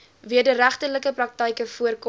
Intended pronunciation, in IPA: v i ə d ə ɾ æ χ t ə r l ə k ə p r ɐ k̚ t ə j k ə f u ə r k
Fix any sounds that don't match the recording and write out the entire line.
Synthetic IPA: v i ə d ə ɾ æ χ t ə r l ə k ə p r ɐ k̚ t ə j k ə f u ə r k